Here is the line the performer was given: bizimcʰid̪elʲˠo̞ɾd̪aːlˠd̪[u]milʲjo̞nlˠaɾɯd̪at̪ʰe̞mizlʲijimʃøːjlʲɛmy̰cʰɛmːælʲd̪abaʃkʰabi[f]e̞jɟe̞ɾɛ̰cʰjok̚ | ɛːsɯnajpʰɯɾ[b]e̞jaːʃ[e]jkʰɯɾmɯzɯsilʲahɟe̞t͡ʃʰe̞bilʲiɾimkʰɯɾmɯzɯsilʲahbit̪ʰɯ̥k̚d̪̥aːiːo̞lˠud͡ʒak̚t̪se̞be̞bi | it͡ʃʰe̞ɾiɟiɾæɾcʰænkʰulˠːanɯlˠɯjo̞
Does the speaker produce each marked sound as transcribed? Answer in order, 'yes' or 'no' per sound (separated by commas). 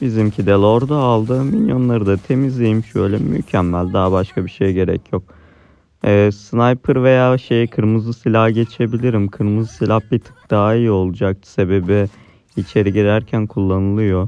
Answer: no, no, no, yes